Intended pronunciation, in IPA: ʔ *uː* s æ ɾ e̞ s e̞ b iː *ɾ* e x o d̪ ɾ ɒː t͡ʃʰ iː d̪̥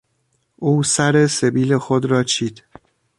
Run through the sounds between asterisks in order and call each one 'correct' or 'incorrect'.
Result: correct, incorrect: l

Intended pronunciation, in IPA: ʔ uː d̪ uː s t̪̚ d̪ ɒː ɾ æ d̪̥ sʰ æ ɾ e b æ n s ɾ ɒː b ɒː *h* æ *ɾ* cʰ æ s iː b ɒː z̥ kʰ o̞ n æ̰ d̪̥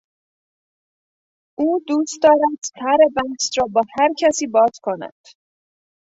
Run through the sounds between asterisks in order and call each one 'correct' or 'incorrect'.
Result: correct, correct

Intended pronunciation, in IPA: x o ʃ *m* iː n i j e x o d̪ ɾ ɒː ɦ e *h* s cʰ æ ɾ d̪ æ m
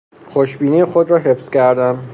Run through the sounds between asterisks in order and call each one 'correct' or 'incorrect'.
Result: incorrect: b, incorrect: f

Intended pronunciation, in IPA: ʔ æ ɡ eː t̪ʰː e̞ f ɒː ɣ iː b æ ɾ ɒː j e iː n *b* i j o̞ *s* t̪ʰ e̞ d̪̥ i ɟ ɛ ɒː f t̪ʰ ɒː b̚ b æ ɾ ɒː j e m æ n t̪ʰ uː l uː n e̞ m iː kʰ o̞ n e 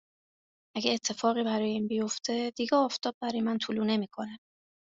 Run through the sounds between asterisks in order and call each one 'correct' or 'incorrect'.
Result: correct, incorrect: f

